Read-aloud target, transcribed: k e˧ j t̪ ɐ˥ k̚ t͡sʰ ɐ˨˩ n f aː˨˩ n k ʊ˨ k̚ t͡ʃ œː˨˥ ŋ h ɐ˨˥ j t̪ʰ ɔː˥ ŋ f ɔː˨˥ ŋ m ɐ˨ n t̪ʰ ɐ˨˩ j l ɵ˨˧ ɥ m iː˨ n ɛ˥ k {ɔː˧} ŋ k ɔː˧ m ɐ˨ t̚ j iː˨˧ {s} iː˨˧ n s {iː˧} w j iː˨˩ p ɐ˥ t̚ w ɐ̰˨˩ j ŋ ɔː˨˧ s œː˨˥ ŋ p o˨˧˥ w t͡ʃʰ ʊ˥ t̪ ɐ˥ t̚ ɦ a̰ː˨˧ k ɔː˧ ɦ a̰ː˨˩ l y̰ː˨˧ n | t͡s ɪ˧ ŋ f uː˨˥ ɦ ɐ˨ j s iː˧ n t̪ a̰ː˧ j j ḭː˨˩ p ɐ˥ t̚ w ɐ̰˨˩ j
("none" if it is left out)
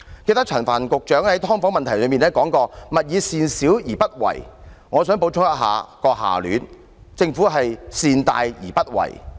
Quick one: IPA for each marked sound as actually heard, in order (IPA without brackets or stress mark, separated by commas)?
ɔː˨˥, s, iː˨˥